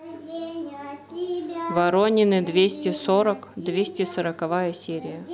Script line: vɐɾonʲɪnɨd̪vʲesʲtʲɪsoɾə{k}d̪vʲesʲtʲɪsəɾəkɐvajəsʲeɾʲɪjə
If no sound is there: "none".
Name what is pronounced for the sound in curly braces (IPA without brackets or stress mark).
k